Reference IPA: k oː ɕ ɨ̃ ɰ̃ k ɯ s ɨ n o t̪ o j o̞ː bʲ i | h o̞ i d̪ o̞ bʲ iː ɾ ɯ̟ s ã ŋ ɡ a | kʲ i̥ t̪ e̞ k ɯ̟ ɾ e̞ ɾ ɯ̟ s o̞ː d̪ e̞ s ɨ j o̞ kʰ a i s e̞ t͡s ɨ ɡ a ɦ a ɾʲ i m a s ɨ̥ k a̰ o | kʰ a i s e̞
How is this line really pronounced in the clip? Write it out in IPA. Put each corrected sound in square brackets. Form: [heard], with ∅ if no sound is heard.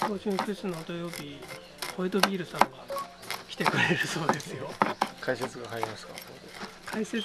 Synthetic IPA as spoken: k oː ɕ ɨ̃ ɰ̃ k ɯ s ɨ n o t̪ o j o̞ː bʲ i | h o̞ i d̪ o̞ bʲ iː ɾ ɯ̟ s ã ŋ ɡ a | kʲ i̥ t̪ e̞ k ɯ̟ ɾ e̞ ɾ ɯ̟ s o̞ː d̪ e̞ s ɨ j o̞ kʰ a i s e̞ t͡s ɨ ɡ a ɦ a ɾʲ i m a s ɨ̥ k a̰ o | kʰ a i s e̞